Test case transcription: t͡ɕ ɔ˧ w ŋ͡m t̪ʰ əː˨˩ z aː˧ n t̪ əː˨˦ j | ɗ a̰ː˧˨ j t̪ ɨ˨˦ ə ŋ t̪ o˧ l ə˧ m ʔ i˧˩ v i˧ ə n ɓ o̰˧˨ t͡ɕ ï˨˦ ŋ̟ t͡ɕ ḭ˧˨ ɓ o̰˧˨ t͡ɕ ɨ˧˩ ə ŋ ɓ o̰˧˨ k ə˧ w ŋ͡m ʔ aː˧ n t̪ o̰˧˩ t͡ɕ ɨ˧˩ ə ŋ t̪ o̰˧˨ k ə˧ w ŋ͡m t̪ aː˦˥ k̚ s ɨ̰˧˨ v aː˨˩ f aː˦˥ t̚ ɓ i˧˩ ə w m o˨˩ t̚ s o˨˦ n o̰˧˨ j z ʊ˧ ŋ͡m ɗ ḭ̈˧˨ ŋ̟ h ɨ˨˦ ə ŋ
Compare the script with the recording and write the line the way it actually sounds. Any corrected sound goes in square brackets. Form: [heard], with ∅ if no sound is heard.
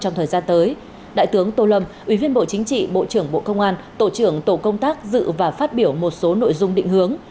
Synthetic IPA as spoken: t͡ɕ ɔ˧ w ŋ͡m t̪ʰ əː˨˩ z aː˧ n t̪ əː˨˦ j | ɗ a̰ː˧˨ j t̪ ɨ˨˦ ə ŋ t̪ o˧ l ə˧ m ʔ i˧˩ v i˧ ə n ɓ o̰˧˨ t͡ɕ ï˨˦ ŋ̟ t͡ɕ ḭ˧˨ ɓ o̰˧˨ t͡ɕ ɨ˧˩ ə ŋ ɓ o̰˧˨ k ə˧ w ŋ͡m ʔ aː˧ n t̪ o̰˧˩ t͡ɕ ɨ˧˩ ə ŋ t̪ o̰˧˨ k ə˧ w ŋ͡m t̪ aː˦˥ k̚ [z] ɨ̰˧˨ v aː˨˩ f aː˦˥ t̚ ɓ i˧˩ ə w m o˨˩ t̚ s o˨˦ n o̰˧˨ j z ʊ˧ ŋ͡m ɗ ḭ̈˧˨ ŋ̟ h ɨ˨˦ ə ŋ

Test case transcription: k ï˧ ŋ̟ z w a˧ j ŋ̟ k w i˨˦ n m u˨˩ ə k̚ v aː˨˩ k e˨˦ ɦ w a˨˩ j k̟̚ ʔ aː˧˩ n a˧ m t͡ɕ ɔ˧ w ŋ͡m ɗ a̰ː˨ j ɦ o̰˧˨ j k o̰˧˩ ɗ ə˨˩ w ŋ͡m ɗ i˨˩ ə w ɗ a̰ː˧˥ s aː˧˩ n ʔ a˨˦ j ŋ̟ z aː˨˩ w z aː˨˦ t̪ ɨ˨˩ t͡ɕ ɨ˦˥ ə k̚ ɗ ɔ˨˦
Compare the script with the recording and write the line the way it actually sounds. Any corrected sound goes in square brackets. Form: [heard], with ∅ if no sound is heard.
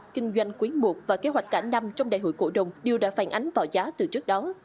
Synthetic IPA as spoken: k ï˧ ŋ̟ z w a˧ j ŋ̟ k w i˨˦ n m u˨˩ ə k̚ v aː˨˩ k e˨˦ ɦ w a˨˩ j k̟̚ [k] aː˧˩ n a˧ m t͡ɕ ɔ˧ w ŋ͡m ɗ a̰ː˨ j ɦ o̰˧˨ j k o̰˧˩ ɗ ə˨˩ w ŋ͡m ɗ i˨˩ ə w ɗ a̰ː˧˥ [f] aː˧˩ n ʔ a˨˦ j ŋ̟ [v] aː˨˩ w z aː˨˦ t̪ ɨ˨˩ t͡ɕ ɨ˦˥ ə k̚ ɗ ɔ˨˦

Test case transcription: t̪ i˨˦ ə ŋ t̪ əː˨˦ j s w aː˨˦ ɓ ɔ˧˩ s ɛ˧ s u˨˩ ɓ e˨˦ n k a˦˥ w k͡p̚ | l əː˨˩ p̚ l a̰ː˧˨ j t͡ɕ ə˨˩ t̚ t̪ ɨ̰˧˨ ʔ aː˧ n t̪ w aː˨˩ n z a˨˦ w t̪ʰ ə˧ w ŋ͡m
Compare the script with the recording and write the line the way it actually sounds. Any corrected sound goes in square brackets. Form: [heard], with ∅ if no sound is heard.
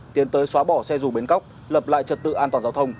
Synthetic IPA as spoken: t̪ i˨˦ ə [n] t̪ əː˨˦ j s w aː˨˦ ɓ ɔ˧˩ s ɛ˧ [z] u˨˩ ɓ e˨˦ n k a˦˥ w k͡p̚ | l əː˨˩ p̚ l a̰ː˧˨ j t͡ɕ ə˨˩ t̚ t̪ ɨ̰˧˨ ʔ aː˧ n t̪ w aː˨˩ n z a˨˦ w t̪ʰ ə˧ w ŋ͡m

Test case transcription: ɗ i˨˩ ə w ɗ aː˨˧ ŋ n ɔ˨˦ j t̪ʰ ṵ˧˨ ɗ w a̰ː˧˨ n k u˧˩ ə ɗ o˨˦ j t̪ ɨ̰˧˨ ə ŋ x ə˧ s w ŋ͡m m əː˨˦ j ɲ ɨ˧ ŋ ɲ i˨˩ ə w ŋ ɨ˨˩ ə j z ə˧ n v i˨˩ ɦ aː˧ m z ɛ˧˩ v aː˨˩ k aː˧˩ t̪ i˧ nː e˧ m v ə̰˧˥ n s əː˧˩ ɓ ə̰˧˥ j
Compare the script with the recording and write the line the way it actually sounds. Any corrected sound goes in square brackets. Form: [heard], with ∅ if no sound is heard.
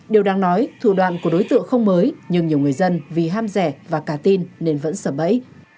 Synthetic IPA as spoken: ɗ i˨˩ ə w ɗ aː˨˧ ŋ n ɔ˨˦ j t̪ʰ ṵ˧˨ ɗ w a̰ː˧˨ n k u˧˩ ə ɗ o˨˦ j t̪ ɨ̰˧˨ ə ŋ x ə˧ [∅] w ŋ͡m m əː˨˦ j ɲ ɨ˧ ŋ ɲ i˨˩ ə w ŋ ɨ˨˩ ə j z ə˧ n v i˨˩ ɦ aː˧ m z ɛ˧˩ v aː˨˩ k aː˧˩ t̪ i˧ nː e˧ [n] v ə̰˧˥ n s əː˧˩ ɓ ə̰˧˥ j

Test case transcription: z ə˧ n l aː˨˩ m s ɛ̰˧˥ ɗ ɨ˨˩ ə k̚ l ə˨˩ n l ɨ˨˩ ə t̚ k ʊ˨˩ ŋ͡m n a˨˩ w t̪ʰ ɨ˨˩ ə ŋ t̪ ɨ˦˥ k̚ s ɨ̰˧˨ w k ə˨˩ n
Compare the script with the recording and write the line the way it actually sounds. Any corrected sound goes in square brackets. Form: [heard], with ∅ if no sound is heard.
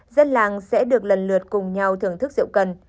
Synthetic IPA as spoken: z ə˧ n l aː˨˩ [ŋ] s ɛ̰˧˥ ɗ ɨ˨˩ ə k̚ l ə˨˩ n l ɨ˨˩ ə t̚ k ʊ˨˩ ŋ͡m [ɲ] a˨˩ w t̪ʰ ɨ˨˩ ə ŋ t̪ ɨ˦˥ k̚ [z] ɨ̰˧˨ w k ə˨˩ n

